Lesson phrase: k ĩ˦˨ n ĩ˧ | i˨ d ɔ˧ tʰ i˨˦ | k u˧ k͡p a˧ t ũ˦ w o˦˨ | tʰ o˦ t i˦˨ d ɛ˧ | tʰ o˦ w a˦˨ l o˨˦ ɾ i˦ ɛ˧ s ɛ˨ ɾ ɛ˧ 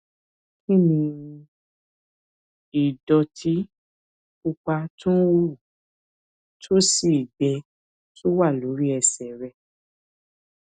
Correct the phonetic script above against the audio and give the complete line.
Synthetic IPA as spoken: k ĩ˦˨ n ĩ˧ | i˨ d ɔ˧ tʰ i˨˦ | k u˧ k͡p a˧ t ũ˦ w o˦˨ | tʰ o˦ s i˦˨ d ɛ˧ | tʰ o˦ w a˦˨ l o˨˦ ɾ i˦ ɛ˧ s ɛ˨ ɾ ɛ˧

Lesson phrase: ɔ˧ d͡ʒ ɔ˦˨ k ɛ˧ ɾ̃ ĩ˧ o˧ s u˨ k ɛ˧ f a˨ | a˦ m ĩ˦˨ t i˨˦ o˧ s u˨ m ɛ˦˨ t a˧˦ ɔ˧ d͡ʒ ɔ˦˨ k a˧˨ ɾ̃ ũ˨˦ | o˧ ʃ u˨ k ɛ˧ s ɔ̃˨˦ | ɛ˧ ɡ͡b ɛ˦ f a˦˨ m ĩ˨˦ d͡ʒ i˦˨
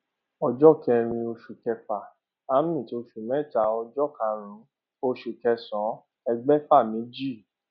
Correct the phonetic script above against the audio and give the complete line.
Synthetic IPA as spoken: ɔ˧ d͡ʒ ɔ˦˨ k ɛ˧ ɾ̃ ĩ˧ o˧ ʃ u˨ k ɛ˧ f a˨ | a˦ m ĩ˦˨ t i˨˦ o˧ ʃ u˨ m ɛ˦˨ t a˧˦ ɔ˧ d͡ʒ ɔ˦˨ k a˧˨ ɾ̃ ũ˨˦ | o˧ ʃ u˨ k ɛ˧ s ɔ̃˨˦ | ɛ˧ ɡ͡b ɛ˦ f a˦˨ m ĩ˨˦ d͡ʒ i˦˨

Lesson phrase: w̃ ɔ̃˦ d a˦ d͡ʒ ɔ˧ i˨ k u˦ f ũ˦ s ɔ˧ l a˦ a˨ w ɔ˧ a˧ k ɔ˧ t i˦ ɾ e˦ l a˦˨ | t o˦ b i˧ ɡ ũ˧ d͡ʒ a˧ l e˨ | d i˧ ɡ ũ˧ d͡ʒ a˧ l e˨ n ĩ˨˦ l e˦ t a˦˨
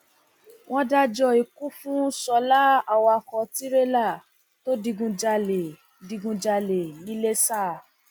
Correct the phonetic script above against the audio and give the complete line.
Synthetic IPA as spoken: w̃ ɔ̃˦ d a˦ d͡ʒ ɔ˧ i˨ k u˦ f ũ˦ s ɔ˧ l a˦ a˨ w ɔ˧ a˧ k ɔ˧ t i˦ ɾ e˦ l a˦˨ | t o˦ d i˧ ɡ ũ˧ d͡ʒ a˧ l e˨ | d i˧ ɡ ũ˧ d͡ʒ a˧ l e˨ n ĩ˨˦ l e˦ s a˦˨

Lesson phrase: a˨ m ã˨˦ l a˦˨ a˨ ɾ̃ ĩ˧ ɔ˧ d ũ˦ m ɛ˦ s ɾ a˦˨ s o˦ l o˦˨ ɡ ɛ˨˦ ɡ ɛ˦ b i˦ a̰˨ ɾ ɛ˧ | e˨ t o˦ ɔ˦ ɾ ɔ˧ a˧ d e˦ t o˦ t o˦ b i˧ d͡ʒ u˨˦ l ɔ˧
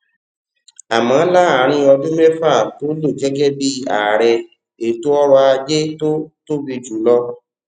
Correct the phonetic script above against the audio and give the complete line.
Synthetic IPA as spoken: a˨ m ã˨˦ l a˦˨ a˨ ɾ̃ ĩ˧ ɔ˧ d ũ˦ m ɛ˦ f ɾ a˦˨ t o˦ l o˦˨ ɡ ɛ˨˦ ɡ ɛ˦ b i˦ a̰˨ ɾ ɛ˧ | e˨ t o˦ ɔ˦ ɾ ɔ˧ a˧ d͡ʒ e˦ t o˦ t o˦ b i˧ d͡ʒ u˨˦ l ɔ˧

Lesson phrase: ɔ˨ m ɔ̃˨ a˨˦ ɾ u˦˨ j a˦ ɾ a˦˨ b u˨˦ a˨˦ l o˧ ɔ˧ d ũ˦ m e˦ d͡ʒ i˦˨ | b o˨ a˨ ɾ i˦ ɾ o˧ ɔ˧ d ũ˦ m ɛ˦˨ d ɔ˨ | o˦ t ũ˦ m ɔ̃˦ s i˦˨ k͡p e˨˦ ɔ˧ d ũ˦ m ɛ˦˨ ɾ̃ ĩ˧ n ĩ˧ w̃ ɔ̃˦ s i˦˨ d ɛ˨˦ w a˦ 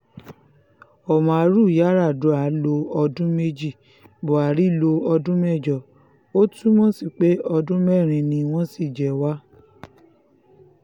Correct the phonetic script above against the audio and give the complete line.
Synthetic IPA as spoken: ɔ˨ m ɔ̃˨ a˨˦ ɾ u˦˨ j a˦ ɾ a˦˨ d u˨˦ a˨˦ l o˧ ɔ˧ d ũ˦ m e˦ d͡ʒ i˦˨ | b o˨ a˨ ɾ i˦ l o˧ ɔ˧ d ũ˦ m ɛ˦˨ d͡ʒ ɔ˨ | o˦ t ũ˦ m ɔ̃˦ s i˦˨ k͡p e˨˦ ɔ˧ d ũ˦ m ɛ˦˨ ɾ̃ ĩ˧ n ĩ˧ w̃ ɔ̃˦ s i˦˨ d͡ʒ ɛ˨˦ w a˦

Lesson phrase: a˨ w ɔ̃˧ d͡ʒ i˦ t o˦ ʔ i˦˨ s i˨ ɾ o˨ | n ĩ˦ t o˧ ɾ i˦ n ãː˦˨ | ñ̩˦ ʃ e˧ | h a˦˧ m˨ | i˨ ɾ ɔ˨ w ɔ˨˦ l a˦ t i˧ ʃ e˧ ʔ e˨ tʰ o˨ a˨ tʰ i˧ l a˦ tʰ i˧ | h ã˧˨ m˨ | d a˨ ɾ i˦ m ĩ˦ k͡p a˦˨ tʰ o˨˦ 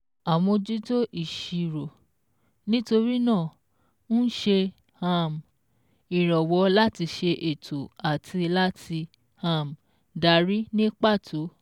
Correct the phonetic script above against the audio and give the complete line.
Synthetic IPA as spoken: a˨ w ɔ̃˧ d͡ʒ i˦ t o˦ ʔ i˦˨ ʃ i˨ ɾ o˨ | n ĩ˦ t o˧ ɾ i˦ n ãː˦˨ | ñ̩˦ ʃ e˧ | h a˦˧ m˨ | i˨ ɾ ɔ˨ w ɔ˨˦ l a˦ t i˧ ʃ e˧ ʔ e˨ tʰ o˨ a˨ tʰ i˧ l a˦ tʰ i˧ | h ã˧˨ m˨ | d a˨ ɾ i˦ n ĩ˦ k͡p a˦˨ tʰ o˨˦

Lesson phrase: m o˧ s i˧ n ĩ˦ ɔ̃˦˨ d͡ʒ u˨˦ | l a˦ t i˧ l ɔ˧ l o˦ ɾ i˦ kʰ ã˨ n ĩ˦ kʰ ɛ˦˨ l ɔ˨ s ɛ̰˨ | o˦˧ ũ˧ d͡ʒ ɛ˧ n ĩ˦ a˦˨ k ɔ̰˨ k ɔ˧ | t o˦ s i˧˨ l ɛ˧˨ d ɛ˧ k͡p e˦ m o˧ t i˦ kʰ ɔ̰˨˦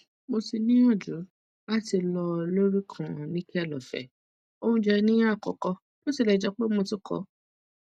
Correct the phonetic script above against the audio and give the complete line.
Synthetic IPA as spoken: m o˧ s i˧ n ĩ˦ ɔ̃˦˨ d͡ʒ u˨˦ | l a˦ t i˧ l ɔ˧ l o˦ ɾ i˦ kʰ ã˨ n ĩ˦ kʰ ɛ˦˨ l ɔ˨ f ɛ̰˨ | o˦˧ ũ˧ d͡ʒ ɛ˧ n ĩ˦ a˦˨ k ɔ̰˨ k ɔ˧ | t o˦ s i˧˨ l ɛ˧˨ d͡ʒ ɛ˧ k͡p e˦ m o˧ t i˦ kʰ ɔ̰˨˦

